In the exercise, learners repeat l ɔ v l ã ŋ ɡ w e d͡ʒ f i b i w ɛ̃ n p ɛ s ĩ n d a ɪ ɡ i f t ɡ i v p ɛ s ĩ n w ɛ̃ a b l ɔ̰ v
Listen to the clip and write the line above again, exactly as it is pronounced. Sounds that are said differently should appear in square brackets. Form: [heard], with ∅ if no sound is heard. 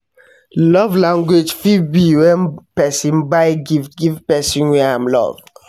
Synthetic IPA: l ɔ v l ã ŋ ɡ w e d͡ʒ f i b i w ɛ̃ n p ɛ s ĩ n [b] a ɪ ɡ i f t ɡ i v p ɛ s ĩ n w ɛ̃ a [m] l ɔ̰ v

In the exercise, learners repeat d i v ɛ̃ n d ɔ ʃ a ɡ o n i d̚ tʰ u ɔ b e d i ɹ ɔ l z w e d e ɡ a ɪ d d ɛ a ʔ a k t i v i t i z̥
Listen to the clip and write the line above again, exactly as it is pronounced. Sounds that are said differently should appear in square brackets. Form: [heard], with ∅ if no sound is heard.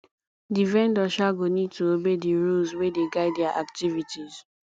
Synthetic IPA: d i v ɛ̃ n d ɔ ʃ a ɡ o n i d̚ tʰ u [o] b e d i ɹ [u] l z w e d e ɡ a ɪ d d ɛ a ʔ a k t i v i t i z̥

